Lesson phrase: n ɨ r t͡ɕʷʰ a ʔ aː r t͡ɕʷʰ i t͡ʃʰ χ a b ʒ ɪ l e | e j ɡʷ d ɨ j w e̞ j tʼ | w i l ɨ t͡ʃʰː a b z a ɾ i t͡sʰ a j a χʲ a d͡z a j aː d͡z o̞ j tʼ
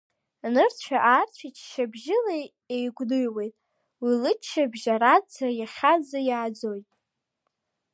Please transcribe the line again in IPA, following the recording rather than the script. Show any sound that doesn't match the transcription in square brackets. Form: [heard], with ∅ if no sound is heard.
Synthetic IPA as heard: n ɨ r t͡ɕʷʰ a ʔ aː r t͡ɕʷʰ i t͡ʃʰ [ʃ] a b ʒ ɪ l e | e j ɡʷ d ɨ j w e̞ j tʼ | w i l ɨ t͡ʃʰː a b [ʒ] a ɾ [a] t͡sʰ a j a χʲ a d͡z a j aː d͡z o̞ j tʼ